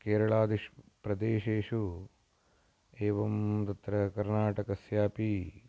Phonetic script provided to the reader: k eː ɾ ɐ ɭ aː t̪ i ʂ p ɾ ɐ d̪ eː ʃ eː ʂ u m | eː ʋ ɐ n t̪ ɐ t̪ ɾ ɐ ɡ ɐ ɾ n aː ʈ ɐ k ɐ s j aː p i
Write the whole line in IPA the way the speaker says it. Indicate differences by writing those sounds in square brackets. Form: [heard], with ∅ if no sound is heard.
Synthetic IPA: k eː ɾ ɐ ɭ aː [d̪] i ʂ p ɾ ɐ d̪ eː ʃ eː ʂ u [∅] | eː ʋ ɐ [m] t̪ ɐ t̪ ɾ ɐ [k] ɐ ɾ n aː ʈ ɐ k ɐ s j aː p i